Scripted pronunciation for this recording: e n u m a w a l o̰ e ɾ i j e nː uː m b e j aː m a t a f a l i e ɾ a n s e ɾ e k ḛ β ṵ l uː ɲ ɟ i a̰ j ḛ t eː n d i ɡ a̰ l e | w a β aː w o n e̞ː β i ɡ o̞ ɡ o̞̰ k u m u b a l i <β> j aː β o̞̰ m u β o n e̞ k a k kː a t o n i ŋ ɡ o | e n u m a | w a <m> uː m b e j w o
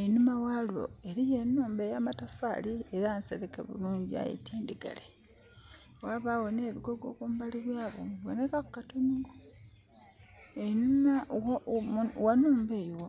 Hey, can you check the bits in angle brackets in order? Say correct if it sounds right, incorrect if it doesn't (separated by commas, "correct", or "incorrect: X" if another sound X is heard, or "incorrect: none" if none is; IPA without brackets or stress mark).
correct, incorrect: n